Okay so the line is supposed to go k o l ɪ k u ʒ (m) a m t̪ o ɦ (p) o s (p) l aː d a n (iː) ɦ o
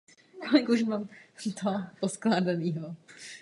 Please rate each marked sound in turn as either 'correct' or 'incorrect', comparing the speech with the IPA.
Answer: correct, correct, incorrect, correct

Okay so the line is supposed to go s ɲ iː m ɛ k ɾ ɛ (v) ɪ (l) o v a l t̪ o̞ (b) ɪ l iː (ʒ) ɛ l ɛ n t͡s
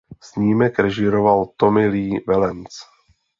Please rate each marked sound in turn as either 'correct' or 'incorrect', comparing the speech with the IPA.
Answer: incorrect, incorrect, incorrect, incorrect

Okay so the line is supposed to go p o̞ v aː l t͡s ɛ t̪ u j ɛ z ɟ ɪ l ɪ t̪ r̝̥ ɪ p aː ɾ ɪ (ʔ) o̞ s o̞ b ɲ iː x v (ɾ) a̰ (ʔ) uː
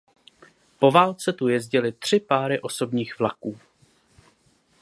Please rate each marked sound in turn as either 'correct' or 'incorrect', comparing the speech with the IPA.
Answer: correct, incorrect, incorrect

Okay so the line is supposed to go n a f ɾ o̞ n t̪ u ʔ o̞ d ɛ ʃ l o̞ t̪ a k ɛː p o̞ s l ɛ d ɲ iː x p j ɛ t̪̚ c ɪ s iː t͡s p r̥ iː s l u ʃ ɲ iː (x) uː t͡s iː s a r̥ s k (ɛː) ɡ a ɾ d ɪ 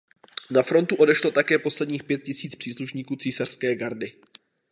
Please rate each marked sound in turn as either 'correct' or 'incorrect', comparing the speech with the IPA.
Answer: incorrect, correct

